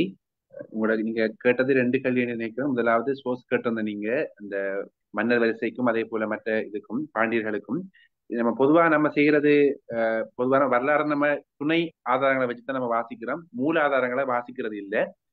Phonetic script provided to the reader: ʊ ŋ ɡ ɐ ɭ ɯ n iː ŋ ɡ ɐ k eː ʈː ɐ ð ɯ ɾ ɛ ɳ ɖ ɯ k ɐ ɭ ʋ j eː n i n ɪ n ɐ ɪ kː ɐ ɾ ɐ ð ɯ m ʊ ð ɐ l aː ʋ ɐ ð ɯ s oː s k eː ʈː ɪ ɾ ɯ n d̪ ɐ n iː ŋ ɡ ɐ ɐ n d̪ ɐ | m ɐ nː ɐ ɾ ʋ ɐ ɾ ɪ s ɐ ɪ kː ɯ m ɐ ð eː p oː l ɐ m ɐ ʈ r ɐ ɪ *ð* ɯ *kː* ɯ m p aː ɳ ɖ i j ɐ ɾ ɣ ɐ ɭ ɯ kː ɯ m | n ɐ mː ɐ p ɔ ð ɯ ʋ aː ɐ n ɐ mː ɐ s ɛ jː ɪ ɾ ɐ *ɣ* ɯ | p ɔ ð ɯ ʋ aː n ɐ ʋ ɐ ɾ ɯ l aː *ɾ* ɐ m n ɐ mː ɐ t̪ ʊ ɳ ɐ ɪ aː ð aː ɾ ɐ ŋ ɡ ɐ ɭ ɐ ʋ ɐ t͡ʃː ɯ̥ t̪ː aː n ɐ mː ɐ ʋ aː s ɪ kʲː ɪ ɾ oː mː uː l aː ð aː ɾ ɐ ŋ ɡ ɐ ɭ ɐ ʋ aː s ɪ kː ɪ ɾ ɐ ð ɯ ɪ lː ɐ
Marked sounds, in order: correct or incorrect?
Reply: correct, correct, incorrect, correct

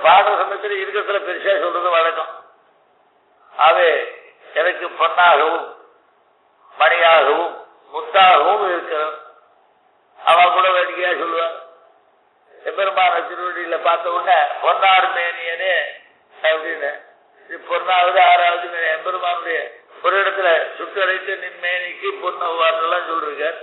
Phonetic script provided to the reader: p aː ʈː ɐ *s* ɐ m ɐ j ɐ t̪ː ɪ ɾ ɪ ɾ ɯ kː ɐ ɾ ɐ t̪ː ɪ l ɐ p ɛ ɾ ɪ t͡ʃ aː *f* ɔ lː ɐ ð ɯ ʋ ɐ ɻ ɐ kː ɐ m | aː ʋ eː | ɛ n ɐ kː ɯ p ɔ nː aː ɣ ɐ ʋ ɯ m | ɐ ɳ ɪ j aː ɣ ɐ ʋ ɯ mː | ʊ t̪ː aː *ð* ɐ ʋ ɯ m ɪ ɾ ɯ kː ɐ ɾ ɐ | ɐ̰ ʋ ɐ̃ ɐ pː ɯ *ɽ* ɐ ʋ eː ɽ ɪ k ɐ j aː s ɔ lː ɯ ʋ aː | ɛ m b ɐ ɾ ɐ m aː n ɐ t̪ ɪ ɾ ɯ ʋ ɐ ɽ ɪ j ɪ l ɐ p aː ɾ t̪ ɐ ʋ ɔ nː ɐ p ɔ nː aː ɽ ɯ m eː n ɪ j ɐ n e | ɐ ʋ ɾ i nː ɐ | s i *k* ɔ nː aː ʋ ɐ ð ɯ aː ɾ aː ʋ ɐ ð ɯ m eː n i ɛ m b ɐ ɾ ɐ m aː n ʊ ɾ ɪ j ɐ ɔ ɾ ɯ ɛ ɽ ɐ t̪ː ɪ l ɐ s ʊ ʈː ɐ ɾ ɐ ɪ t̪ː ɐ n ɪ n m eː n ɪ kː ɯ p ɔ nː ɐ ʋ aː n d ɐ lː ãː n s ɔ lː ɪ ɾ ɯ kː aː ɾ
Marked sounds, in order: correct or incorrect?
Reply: correct, incorrect, incorrect, correct, incorrect

